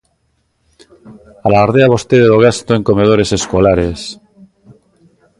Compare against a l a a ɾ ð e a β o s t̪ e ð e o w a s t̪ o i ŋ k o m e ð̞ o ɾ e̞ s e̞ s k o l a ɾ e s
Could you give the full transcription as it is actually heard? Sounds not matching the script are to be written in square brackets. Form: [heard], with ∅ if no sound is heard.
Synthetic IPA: a l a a ɾ ð e a β o s t̪ e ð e o [ɣ] a s t̪ o [e] ŋ k o m e ð̞ o ɾ e̞ s e̞ s k o l a ɾ e s